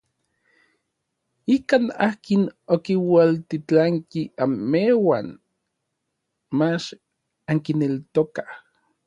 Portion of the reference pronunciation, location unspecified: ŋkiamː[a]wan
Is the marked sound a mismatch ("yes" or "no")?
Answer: yes